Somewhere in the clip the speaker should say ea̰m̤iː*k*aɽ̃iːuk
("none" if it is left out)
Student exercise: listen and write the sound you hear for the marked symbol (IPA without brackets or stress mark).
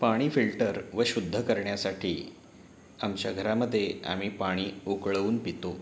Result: p